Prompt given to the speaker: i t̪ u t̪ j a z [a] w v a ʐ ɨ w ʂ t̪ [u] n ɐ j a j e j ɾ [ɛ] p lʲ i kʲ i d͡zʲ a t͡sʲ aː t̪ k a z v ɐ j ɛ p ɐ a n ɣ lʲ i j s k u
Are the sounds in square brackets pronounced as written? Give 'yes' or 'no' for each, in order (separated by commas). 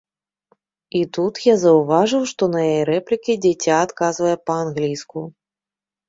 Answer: no, no, yes